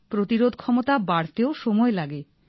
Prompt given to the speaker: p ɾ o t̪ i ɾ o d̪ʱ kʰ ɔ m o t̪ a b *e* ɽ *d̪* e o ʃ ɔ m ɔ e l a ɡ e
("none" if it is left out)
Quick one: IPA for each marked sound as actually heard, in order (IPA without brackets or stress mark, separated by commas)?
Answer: a, t̪